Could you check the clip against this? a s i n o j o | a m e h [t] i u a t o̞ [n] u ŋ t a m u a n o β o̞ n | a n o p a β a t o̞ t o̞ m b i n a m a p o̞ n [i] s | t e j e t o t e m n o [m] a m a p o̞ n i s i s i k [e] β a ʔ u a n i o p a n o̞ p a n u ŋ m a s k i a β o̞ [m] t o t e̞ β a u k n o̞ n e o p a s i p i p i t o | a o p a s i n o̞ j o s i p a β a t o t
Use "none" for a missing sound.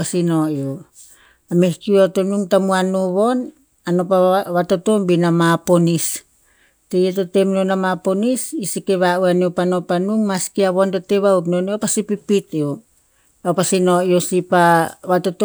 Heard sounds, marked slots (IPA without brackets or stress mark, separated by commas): k, n, i, n, e, n